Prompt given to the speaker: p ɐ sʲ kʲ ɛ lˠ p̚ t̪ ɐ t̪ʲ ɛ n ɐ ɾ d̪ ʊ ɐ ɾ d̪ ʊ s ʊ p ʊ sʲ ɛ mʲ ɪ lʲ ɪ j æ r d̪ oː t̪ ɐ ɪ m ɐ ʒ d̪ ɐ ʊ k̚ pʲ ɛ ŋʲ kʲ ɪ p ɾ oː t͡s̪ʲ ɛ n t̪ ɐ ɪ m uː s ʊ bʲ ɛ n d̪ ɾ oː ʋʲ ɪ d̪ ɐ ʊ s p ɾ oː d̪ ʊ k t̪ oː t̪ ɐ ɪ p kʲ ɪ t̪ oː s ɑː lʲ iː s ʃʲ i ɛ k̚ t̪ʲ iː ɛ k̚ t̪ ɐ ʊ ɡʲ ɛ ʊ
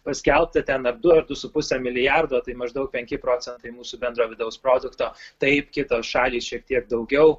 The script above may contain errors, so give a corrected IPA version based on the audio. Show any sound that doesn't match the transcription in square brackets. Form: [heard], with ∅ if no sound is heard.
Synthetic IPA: p ɐ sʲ kʲ ɛ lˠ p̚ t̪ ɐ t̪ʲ ɛ n ɐ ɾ d̪ ʊ ɐ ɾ d̪ ʊ s ʊ p ʊ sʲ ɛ mʲ ɪ lʲ ɪ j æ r d̪ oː t̪ ɐ ɪ m ɐ ʒ d̪ ɐ ʊ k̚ pʲ ɛ ŋʲ kʲ ɪ p ɾ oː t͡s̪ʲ ɛ n t̪ ɐ ɪ m uː s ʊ bʲ ɛ n d̪ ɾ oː ʋʲ ɪ d̪ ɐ ʊ s p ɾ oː d̪ ʊ k t̪ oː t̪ ɐ ɪ p kʲ ɪ t̪ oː [ʃ] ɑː lʲ iː s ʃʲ i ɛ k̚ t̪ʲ [i] ɛ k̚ [d̪] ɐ ʊ ɡʲ ɛ ʊ